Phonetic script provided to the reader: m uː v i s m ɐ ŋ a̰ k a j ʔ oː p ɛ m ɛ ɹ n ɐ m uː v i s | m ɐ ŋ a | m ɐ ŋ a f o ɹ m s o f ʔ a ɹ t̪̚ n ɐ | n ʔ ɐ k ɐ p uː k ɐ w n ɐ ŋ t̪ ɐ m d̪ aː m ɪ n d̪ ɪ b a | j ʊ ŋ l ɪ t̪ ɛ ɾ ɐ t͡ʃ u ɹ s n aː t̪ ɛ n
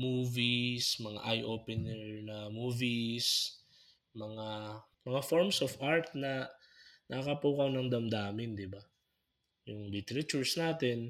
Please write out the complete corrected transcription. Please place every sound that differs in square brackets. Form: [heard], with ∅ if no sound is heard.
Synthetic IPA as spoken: m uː v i s m ɐ ŋ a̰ [ʔ] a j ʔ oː p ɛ [n] ɛ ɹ n ɐ m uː v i s | m ɐ ŋ a | m ɐ ŋ a f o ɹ m s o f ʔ a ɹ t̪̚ n ɐ | n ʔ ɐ k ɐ p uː k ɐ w n ɐ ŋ [d̪] ɐ m d̪ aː m ɪ n d̪ ɪ b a | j ʊ ŋ l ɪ t̪ ɛ ɾ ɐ t͡ʃ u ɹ s n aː t̪ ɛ n